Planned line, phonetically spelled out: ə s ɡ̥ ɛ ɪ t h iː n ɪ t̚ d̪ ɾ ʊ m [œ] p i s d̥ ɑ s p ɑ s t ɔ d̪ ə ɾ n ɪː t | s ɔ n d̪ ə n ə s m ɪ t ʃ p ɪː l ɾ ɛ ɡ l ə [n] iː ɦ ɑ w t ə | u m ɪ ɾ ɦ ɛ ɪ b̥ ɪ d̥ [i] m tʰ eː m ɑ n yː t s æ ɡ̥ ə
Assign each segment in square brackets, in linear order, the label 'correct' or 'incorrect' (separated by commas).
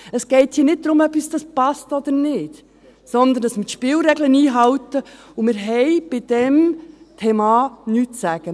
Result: correct, correct, incorrect